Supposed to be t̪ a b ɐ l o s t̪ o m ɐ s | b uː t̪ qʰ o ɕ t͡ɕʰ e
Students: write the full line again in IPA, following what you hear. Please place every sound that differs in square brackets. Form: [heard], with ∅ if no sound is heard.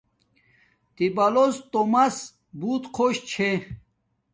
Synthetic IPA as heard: t̪ [i] b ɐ l o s t̪ o m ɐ s | b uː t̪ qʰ o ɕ t͡ɕʰ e